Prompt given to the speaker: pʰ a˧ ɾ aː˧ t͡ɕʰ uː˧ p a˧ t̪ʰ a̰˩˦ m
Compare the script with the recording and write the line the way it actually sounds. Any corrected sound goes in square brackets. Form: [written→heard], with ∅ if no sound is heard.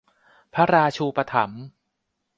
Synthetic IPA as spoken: pʰ [a˧→a˦˥] ɾ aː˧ t͡ɕʰ uː˧ p a˧ t̪ʰ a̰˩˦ m